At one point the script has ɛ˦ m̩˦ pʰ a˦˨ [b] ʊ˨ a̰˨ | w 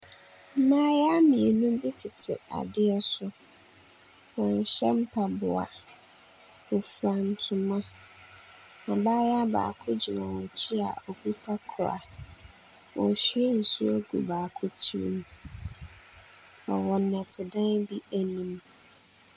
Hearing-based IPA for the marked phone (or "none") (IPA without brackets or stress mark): b